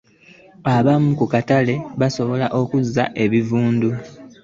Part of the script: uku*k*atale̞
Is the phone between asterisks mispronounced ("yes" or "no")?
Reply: no